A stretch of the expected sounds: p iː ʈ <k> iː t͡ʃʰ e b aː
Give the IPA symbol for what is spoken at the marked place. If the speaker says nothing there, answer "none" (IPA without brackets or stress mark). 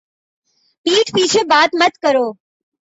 p